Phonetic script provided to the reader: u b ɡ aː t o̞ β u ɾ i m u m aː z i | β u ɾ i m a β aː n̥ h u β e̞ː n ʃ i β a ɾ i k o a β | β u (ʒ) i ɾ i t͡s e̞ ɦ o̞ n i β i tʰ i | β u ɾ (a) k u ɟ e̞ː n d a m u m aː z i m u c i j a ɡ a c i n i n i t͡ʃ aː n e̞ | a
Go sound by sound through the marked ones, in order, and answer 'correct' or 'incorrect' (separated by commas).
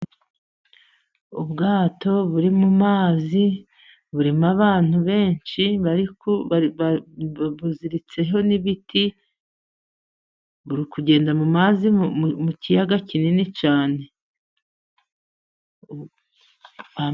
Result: incorrect, incorrect